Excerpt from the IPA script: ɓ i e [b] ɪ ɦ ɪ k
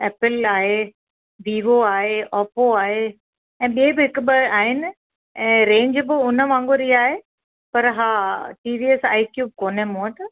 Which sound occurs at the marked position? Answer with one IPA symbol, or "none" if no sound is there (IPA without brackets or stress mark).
b